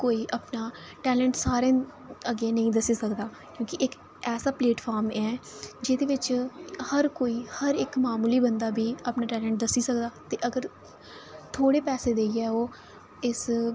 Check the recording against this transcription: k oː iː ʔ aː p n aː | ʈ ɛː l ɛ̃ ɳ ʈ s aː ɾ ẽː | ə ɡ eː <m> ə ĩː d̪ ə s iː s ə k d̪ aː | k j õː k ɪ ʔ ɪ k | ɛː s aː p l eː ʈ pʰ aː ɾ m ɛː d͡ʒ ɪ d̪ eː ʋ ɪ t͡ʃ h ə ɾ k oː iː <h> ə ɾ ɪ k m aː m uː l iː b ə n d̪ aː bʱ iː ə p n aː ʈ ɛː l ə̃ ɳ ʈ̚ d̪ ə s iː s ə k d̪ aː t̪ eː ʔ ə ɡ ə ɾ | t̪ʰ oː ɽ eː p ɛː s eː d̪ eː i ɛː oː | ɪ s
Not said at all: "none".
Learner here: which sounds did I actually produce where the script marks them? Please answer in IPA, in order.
n, h

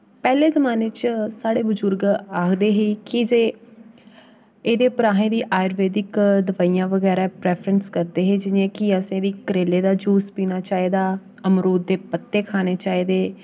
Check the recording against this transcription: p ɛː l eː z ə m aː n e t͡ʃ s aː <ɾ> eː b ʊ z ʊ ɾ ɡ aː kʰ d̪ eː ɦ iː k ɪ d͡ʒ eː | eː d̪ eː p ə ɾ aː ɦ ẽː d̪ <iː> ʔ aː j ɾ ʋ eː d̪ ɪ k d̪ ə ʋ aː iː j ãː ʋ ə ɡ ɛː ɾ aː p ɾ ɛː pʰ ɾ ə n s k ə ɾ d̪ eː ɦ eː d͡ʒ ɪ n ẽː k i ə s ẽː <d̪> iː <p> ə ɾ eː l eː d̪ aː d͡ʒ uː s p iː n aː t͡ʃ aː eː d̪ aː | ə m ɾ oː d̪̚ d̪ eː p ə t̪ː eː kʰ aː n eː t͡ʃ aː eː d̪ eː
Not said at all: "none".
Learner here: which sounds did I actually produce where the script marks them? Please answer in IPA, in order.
ɽ, iː, d̪, k

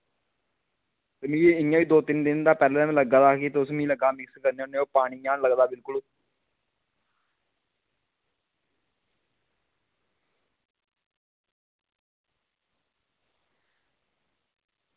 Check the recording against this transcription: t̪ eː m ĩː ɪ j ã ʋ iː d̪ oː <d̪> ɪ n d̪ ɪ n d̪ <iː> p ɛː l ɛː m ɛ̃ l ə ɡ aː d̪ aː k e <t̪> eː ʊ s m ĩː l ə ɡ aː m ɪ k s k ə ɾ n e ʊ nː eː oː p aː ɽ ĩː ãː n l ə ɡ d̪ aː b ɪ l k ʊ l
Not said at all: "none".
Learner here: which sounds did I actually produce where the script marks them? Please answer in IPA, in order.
t̪, aː, t̪

